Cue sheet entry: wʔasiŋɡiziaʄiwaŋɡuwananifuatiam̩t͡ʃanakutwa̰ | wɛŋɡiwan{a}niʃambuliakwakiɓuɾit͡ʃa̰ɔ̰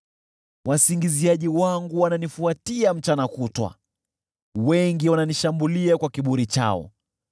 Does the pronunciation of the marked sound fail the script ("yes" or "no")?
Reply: no